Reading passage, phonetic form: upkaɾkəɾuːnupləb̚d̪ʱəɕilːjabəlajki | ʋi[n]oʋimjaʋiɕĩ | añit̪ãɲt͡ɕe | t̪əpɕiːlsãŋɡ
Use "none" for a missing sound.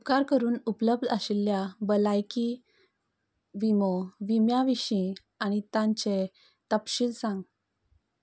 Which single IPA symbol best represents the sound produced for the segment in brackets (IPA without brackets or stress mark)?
m